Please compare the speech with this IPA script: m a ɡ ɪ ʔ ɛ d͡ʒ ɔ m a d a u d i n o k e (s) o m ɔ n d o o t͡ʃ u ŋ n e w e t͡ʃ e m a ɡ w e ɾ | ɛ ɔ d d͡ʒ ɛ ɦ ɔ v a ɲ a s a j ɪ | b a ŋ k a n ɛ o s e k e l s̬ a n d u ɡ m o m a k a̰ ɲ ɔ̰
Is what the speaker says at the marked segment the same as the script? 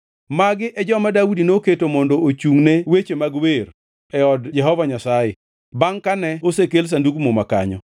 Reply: no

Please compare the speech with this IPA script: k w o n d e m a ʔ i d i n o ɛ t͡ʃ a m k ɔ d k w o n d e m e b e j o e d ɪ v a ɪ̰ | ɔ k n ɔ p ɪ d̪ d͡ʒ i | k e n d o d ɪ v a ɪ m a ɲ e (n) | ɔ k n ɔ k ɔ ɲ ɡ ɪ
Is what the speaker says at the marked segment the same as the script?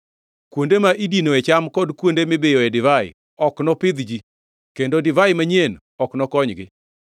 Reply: yes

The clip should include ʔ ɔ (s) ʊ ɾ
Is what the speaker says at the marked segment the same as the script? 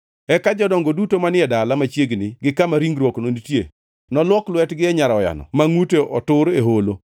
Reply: no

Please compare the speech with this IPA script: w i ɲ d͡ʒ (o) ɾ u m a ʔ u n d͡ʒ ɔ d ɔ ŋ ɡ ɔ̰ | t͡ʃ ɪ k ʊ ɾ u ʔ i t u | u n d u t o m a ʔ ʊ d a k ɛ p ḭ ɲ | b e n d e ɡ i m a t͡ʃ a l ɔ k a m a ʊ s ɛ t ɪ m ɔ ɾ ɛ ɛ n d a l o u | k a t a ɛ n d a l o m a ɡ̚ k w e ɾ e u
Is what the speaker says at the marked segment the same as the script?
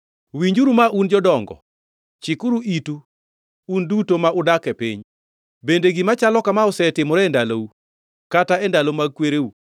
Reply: no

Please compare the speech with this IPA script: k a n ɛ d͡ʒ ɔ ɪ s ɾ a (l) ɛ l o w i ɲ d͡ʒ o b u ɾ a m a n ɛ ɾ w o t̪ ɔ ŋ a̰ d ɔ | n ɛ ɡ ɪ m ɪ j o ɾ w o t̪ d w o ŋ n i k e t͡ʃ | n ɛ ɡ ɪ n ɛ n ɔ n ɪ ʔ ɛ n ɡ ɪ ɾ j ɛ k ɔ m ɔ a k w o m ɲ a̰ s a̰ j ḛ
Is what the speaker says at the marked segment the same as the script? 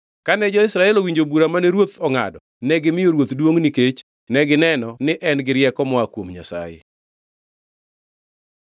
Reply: no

